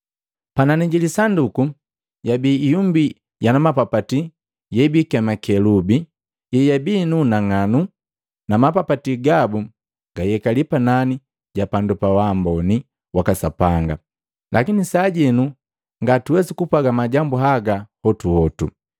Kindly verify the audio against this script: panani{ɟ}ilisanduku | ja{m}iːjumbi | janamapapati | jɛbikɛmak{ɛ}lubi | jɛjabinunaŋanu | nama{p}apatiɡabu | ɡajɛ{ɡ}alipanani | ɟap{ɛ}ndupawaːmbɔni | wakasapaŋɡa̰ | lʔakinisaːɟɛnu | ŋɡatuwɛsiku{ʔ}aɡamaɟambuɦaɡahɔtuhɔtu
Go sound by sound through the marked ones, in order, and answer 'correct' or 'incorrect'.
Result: correct, incorrect: b, correct, correct, incorrect: k, incorrect: a, incorrect: p

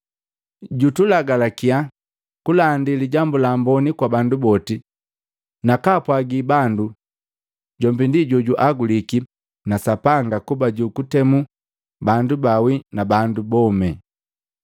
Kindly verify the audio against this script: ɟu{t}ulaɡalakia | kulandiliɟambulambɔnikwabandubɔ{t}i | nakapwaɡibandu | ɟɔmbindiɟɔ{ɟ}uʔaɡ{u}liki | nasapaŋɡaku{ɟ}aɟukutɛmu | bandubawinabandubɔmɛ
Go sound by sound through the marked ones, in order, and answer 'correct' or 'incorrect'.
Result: correct, correct, correct, correct, incorrect: b

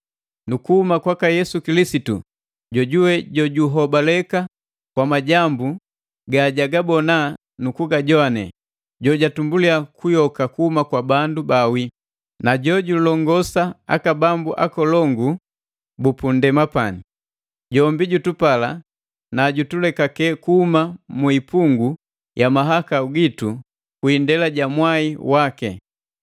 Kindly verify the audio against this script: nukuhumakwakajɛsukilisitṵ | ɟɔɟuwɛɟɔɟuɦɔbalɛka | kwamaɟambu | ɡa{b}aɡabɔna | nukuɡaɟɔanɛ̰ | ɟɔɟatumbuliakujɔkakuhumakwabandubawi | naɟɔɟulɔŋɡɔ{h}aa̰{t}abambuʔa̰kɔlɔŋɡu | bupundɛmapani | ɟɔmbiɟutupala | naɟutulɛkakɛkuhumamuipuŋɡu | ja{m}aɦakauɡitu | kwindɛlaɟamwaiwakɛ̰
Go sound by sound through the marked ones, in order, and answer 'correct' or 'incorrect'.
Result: incorrect: ɟ, incorrect: s, incorrect: k, correct

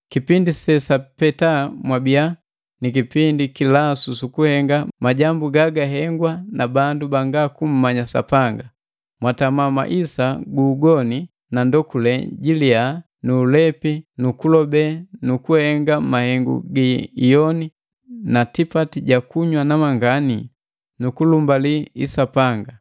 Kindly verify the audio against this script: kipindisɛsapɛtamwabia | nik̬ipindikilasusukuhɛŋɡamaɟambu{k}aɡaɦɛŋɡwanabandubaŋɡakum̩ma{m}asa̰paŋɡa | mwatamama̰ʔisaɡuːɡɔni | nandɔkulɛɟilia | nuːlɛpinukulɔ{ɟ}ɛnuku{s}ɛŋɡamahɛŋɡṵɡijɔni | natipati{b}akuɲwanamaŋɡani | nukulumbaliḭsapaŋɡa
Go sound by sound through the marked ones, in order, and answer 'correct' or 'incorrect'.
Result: incorrect: ɡ, incorrect: ɲ, incorrect: b, incorrect: h, incorrect: ɟ

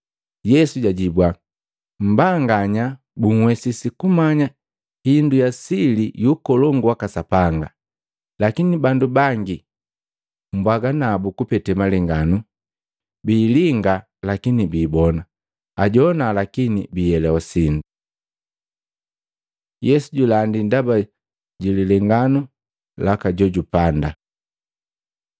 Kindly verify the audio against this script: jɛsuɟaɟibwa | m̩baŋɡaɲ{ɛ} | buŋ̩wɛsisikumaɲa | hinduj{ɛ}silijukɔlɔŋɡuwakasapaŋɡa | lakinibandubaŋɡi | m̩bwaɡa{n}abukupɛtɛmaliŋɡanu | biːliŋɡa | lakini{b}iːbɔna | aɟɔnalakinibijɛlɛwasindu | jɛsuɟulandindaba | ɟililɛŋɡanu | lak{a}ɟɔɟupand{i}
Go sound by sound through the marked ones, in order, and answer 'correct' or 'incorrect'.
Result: incorrect: a, incorrect: a, correct, correct, correct, incorrect: a

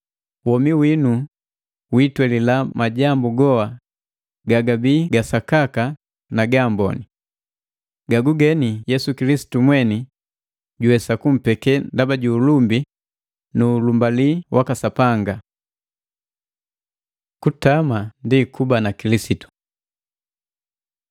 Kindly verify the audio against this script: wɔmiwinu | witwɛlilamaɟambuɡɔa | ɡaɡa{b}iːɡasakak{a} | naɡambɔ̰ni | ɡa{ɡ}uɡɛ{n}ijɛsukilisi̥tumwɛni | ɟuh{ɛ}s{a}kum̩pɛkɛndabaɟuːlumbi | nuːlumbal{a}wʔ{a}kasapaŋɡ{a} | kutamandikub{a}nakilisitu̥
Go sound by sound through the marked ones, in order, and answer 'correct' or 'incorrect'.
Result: correct, correct, correct, correct, correct, correct, incorrect: i, correct, correct, correct

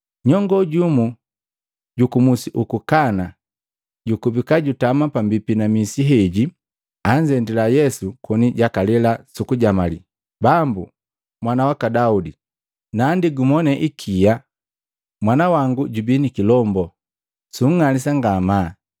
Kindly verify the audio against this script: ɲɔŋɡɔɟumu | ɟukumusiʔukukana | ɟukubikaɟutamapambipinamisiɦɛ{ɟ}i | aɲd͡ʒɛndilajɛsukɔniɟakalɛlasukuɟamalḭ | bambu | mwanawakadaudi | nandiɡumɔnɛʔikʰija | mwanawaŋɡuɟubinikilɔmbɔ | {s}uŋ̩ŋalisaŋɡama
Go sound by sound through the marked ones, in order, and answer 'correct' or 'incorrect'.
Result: correct, correct

